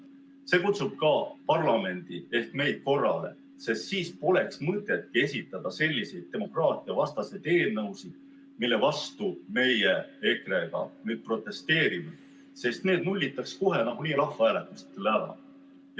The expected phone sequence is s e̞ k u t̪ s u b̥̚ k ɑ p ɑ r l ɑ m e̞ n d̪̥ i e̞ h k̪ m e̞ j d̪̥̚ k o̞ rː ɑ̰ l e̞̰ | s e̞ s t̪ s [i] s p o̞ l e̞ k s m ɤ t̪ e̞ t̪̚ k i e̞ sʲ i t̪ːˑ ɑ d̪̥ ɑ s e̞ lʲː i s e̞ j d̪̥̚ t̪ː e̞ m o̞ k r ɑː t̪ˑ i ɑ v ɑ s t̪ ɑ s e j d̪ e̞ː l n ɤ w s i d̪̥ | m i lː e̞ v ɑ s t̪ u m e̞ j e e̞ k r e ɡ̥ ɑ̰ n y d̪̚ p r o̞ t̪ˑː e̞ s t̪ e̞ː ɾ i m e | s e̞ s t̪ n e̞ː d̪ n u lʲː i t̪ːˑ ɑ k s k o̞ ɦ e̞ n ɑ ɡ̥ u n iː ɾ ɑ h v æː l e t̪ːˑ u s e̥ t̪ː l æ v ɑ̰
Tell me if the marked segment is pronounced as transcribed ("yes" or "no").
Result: no